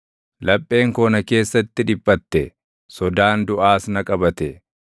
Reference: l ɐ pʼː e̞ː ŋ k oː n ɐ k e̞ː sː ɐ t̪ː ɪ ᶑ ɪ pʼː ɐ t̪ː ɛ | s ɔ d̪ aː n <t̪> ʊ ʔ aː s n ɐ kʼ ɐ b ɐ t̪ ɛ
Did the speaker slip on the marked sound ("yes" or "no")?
yes